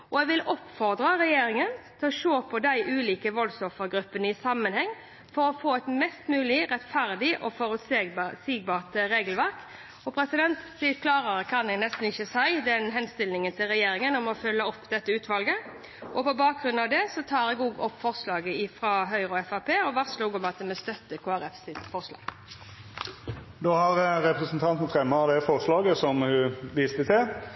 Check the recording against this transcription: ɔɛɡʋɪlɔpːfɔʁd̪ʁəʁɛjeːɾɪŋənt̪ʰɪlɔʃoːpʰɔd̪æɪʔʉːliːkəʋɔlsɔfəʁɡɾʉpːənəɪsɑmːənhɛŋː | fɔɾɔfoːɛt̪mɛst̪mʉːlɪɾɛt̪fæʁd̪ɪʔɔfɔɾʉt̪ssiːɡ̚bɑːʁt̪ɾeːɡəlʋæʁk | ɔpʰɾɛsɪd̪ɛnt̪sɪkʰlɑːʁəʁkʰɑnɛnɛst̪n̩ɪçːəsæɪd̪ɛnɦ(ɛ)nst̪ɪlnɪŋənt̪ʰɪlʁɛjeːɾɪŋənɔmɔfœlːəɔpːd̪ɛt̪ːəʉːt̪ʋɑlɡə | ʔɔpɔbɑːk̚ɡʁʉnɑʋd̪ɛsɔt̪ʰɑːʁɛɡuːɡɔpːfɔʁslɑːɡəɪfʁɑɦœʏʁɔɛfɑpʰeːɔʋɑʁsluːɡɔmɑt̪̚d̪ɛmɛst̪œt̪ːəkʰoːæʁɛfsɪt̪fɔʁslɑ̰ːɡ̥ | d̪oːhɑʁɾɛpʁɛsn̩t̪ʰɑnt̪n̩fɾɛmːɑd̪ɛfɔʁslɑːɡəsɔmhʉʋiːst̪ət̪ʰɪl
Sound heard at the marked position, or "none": ɛ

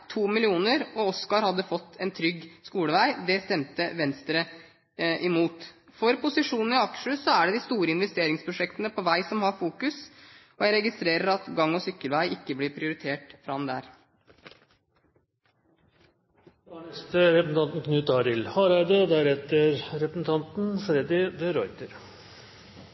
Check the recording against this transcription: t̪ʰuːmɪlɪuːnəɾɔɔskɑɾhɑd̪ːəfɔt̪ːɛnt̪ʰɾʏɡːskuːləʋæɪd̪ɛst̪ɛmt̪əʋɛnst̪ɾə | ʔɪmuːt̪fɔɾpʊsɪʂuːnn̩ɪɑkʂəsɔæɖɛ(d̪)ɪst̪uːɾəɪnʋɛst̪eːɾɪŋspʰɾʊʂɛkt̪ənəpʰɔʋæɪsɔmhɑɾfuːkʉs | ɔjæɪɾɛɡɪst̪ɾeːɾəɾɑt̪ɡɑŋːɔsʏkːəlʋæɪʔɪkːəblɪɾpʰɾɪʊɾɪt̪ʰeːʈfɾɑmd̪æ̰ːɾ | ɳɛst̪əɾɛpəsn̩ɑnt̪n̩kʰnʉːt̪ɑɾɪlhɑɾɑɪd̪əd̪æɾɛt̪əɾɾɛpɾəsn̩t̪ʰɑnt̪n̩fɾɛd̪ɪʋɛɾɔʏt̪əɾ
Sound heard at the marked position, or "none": d̪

